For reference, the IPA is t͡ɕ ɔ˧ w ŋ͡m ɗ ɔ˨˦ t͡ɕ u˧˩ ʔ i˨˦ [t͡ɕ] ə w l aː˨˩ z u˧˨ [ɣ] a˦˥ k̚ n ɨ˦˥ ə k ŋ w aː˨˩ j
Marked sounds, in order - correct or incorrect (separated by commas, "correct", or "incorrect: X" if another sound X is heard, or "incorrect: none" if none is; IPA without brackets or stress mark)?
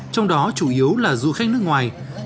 incorrect: none, incorrect: x